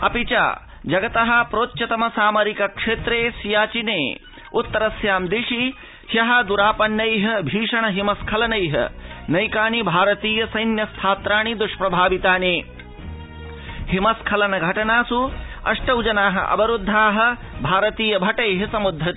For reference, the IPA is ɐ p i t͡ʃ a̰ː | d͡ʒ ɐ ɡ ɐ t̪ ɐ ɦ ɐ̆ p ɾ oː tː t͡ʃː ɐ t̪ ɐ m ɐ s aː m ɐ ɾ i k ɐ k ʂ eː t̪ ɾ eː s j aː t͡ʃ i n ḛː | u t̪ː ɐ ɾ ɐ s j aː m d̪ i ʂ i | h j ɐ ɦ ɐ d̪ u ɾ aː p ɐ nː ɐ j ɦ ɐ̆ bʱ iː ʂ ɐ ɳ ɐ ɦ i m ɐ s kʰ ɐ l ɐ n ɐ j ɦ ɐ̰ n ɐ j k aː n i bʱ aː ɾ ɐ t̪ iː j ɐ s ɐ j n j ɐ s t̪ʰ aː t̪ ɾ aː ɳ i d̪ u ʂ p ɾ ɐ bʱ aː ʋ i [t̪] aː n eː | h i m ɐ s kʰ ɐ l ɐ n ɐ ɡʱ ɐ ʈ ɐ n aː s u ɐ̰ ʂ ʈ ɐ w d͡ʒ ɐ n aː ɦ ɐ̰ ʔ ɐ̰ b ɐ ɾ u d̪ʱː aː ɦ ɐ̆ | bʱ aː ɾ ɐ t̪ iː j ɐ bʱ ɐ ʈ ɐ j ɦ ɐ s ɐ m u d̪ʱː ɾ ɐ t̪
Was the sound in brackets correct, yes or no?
yes